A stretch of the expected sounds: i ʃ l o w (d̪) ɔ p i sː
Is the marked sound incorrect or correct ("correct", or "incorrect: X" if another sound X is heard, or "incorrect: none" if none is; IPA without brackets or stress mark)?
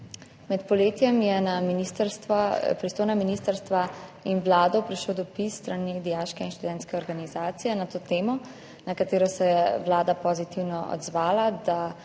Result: correct